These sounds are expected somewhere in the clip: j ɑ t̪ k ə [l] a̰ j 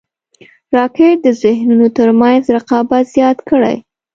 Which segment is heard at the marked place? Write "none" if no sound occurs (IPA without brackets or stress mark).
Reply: ɽ